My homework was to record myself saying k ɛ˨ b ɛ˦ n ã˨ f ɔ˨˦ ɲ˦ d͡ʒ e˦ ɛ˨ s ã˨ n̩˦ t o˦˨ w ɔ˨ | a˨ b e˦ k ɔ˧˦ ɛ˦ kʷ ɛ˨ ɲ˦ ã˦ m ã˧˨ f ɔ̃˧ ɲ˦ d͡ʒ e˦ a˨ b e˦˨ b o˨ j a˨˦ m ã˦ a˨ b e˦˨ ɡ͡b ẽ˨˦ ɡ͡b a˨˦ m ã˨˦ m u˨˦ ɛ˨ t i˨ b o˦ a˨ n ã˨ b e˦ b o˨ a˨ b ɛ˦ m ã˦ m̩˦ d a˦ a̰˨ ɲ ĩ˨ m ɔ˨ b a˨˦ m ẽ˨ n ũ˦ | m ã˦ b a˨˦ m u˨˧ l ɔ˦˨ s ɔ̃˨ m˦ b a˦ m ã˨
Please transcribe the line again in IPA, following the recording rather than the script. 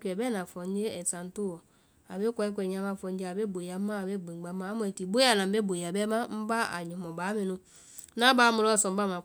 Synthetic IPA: k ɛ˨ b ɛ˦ n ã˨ f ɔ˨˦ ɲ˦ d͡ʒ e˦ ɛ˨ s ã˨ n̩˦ t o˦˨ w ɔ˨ | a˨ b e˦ k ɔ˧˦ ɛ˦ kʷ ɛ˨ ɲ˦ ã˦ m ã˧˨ f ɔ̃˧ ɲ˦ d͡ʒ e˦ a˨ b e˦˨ b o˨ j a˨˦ m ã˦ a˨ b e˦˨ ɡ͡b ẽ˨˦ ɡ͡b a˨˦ m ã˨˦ m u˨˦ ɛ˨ t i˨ b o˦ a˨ n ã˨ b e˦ b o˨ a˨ b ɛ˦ m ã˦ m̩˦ b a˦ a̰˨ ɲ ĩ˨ m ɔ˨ b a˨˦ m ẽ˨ n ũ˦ | n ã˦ b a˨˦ m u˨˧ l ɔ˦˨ s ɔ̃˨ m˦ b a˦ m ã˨